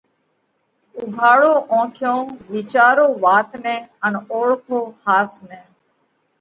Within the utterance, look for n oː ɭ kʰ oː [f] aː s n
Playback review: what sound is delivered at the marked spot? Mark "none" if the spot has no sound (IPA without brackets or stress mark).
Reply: h